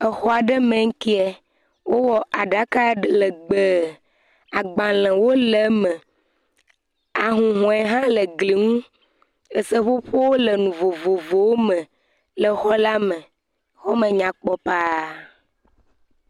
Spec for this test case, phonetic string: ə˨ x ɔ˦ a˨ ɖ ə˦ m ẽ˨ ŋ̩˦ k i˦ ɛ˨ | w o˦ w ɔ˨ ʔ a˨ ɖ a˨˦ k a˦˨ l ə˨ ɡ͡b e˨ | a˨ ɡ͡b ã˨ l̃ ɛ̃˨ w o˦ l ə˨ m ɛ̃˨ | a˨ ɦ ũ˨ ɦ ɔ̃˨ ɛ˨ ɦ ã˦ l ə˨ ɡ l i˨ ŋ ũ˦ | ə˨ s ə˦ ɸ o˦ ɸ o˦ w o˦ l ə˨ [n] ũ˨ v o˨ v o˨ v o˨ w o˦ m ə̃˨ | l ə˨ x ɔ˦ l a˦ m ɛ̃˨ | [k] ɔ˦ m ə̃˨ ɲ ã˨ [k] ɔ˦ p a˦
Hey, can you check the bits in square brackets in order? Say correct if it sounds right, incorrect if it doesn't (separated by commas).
correct, incorrect, incorrect